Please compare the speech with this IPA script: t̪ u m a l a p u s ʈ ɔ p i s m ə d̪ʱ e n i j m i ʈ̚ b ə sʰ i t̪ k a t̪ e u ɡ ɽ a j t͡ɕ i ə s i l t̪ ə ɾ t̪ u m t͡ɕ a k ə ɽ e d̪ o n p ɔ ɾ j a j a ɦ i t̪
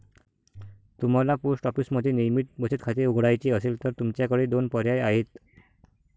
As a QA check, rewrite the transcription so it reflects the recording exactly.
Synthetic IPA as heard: t̪ u m a l a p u s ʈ ɔ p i s m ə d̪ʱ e n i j m i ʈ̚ b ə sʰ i t̪ kʰ a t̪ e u ɡ ɽ a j t͡ɕ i ə s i l t̪ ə ɾ t̪ u m t͡ɕ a k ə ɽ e d̪ o n p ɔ ɾ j a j a ɦ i t̪